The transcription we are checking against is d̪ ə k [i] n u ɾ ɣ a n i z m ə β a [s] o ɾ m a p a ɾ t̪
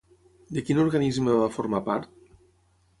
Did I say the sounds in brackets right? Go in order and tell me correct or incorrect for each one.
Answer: correct, incorrect: f

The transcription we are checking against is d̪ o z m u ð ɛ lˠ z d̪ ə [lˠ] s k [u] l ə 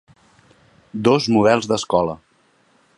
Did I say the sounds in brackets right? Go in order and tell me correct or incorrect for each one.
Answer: incorrect: none, incorrect: ɔ

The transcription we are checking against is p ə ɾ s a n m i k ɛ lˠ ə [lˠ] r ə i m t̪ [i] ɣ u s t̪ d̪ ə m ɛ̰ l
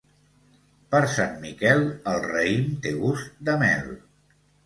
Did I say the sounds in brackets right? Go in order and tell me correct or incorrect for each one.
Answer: correct, incorrect: e

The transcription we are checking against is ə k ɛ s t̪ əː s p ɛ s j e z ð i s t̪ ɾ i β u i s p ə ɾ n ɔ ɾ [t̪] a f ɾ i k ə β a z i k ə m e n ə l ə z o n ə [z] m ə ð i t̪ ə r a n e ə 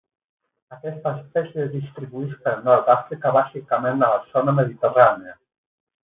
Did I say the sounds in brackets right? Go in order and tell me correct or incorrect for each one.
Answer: correct, incorrect: none

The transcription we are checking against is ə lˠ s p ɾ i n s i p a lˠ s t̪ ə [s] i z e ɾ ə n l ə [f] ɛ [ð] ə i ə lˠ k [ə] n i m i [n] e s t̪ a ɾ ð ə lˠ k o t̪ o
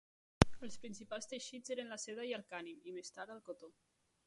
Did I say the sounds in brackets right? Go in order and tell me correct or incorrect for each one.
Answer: incorrect: ʃ, incorrect: s, correct, incorrect: a, incorrect: m

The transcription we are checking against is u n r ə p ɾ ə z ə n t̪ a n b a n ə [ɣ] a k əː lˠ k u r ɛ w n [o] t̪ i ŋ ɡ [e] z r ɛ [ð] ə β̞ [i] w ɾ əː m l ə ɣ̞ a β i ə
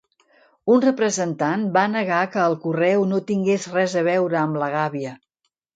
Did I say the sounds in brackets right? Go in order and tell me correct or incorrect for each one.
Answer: correct, correct, correct, incorrect: z, incorrect: ɛ

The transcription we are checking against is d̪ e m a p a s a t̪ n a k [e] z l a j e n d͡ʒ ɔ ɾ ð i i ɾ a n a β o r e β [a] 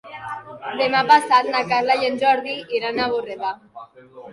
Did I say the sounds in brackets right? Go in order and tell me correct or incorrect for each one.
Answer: incorrect: a, correct

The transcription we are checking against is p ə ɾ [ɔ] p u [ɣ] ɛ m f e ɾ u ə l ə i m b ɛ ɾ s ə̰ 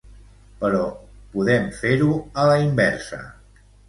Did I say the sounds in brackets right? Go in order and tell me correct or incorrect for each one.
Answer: correct, incorrect: ð

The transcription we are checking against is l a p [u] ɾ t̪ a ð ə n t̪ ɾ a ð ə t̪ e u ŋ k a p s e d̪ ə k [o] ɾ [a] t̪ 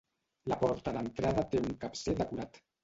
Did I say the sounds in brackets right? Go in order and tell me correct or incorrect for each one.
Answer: incorrect: ɔ, incorrect: u, correct

